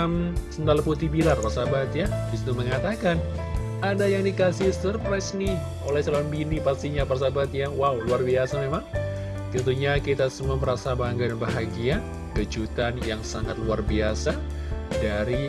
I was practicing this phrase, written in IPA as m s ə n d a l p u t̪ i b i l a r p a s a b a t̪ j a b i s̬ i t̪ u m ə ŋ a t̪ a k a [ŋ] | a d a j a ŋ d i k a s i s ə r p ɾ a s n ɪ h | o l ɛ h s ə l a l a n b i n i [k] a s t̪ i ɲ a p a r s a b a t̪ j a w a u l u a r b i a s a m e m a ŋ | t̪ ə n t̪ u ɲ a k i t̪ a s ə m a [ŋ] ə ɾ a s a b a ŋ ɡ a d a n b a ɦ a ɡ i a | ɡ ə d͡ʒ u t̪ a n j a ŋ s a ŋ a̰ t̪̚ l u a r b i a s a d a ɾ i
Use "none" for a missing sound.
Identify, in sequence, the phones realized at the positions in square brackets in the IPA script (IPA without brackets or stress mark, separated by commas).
n, p, m